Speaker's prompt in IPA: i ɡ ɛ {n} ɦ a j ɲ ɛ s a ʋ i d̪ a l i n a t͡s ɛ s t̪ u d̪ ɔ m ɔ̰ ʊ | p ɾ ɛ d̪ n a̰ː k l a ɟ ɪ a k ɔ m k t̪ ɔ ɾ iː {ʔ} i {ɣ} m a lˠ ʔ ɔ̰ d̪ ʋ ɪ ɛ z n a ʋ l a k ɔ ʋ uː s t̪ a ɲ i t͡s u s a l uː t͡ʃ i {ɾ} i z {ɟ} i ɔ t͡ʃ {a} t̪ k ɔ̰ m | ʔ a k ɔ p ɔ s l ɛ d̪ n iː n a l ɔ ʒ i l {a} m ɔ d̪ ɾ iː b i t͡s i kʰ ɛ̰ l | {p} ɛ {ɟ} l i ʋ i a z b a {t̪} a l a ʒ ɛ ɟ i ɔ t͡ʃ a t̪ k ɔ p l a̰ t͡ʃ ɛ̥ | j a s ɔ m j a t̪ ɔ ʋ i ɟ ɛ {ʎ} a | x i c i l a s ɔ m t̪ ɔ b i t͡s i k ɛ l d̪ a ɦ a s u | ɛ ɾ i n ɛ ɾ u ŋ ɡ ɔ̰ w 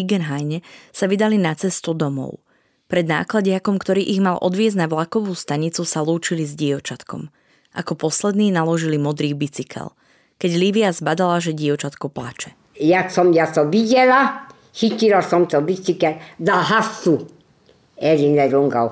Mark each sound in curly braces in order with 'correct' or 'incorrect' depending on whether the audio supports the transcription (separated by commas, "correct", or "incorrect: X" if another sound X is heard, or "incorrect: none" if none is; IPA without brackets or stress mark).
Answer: correct, correct, correct, incorrect: l, correct, correct, incorrect: i, incorrect: k, correct, incorrect: d̪, incorrect: l